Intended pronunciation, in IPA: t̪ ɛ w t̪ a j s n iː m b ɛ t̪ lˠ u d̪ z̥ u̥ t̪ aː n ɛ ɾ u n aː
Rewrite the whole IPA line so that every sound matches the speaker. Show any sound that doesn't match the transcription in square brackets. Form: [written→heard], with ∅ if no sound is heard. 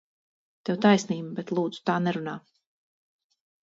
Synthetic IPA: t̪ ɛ w t̪ a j s n iː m b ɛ t̪ lˠ [u→uː] d̪ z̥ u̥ t̪ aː n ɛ ɾ u n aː